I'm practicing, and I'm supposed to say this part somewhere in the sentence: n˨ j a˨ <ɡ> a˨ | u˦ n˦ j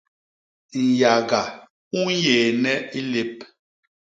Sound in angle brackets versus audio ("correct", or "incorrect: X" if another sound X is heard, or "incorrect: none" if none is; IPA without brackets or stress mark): correct